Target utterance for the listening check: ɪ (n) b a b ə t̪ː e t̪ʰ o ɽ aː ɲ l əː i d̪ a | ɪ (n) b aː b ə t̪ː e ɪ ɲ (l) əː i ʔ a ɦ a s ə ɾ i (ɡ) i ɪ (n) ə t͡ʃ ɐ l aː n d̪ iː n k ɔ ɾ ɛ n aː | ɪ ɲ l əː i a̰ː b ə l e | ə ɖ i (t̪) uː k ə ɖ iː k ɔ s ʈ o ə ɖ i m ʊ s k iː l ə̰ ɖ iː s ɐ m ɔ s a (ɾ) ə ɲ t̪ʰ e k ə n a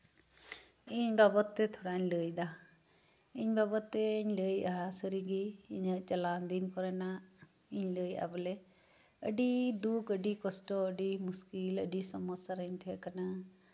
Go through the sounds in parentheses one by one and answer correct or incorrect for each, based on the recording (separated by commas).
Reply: incorrect, incorrect, correct, correct, incorrect, incorrect, correct